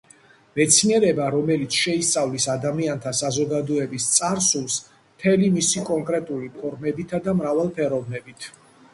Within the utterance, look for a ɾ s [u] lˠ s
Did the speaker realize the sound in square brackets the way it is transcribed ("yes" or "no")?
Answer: yes